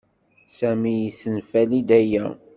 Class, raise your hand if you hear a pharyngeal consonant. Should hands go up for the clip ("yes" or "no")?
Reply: no